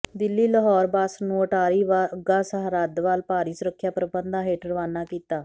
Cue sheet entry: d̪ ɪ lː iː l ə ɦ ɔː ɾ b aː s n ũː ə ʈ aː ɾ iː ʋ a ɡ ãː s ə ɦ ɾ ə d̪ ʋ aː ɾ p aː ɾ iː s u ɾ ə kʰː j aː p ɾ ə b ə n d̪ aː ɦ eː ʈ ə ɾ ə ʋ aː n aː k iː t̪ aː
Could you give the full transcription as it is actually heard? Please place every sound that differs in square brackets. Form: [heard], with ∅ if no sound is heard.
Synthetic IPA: d̪ ɪ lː iː l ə ɦ ɔː ɾ b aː s n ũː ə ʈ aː ɾ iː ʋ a ɡ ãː s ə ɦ ɾ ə d̪ ʋ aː [l] p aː ɾ iː s [ʊ] ɾ ə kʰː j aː p ɾ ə b ə n d̪ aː ɦ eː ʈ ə ɾ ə ʋ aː n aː k iː t̪ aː